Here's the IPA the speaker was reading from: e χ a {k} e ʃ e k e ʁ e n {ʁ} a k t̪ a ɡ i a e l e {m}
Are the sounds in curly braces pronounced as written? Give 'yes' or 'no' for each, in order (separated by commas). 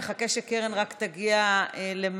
yes, yes, yes